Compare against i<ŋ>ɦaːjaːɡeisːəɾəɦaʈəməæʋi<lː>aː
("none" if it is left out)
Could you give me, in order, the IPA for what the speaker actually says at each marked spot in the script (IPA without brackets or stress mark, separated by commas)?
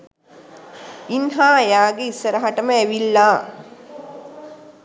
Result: n, lː